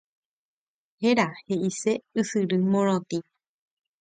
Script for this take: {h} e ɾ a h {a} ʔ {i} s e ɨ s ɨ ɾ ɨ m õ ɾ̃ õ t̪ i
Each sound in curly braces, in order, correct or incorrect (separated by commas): correct, incorrect, correct